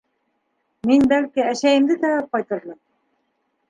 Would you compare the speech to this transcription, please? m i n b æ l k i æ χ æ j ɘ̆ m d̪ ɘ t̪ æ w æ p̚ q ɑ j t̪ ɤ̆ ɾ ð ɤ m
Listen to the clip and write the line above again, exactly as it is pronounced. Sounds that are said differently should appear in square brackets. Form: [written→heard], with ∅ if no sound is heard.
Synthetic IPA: m i n b æ l k i æ [χ→ʃ] æ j ɘ̆ m d̪ ɘ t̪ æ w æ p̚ q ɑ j t̪ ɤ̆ ɾ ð ɤ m